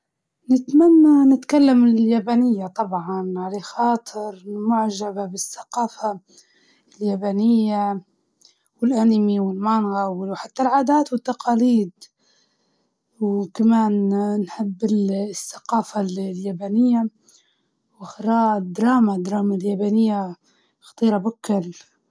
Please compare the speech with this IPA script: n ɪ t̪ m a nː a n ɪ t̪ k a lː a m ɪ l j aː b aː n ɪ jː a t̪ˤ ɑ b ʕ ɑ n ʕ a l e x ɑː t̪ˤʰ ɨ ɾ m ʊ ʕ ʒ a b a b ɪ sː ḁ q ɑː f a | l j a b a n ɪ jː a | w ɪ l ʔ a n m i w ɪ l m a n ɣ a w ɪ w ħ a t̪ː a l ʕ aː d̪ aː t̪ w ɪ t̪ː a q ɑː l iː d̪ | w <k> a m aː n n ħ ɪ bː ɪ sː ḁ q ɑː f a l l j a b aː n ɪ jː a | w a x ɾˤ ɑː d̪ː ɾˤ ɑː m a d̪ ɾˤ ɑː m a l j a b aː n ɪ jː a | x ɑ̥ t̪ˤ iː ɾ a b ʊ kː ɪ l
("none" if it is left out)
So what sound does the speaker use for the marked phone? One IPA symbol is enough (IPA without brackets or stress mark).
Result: k